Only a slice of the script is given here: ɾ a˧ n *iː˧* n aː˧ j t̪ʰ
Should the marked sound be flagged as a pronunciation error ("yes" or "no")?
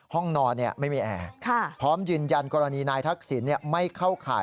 no